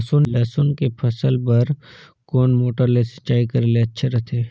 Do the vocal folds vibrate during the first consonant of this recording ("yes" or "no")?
no